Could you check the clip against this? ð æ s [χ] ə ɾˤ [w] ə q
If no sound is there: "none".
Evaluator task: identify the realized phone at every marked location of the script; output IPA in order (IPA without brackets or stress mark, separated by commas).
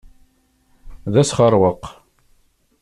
χ, w